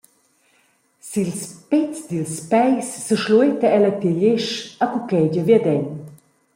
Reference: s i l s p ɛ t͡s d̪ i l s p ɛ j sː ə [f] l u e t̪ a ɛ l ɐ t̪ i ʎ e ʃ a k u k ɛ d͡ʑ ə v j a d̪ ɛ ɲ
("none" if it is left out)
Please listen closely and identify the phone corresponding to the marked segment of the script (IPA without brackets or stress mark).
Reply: ʃ